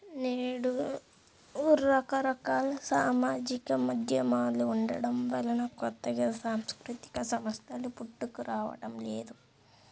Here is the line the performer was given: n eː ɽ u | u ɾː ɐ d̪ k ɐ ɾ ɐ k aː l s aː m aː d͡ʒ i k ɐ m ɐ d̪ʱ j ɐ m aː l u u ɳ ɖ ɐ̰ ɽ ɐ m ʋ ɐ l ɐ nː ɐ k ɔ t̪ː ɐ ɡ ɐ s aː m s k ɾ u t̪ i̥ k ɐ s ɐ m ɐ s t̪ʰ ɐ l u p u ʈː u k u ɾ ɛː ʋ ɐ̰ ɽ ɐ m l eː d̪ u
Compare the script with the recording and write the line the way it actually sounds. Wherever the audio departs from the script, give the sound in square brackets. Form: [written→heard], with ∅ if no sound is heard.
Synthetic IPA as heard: n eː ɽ u | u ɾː ɐ [d̪→∅] k ɐ ɾ ɐ k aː l s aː m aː d͡ʒ i k ɐ m ɐ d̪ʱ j ɐ m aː l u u ɳ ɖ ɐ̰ ɽ ɐ m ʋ ɐ l ɐ [nː→n] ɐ k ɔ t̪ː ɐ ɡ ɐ s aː m s k ɾ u t̪ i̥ k ɐ s ɐ m ɐ s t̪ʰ ɐ l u p u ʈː u k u ɾ [ɛː→aː] ʋ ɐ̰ ɽ ɐ m l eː d̪ u